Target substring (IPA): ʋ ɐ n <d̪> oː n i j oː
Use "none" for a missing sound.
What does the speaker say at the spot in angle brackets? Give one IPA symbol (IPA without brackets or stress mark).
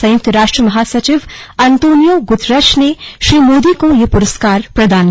t̪